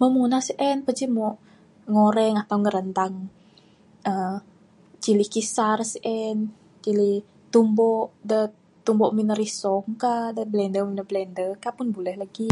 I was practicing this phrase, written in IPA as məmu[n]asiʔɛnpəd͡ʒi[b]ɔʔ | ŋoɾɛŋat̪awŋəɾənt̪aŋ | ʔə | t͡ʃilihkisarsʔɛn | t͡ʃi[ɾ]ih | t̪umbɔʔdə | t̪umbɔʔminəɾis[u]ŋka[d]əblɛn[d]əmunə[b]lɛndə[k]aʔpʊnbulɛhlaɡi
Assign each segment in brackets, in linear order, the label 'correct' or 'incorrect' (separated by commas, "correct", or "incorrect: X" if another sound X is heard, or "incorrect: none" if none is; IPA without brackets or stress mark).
correct, incorrect: m, incorrect: l, incorrect: ɔ, correct, correct, correct, correct